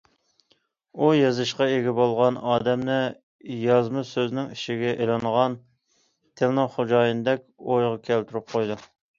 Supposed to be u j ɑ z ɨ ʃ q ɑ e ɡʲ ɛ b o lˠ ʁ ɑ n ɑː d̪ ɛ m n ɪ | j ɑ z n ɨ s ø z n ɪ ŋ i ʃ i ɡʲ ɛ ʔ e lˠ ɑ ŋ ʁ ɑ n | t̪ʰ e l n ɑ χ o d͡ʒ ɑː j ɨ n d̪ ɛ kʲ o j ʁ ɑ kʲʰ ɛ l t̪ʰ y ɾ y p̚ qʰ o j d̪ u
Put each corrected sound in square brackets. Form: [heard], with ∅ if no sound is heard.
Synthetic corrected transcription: u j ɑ z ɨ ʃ q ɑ e ɡʲ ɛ b o lˠ ʁ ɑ n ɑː d̪ ɛ m n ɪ | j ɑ z [m] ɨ s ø z n ɪ ŋ i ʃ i ɡʲ ɛ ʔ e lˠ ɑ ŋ ʁ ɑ n | t̪ʰ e l n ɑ χ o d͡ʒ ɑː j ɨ n d̪ ɛ kʲ o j ʁ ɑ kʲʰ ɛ l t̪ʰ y ɾ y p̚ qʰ o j d̪ u